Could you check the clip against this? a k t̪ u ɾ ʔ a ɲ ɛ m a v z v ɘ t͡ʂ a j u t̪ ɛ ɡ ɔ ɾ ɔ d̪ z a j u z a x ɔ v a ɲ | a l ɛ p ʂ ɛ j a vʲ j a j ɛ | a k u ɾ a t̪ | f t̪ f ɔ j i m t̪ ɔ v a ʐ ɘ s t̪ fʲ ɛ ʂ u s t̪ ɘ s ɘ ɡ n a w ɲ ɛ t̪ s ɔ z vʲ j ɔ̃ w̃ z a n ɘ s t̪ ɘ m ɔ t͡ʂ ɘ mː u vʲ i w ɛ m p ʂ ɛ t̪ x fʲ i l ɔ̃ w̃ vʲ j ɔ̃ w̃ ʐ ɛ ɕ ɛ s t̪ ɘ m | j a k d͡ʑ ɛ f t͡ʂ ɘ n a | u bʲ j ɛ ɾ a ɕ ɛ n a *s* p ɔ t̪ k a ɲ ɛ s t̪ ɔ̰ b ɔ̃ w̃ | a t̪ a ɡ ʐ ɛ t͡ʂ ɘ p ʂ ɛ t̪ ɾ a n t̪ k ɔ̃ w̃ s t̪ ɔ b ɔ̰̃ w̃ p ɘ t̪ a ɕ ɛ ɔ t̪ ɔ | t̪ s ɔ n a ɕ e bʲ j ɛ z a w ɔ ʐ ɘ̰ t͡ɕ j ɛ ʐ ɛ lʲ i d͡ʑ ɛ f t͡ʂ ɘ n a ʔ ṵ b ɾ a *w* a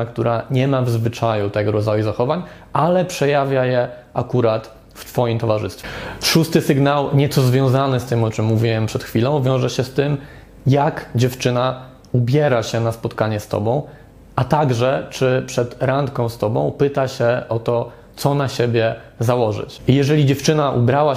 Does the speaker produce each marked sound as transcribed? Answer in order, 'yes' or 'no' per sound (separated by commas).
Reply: yes, yes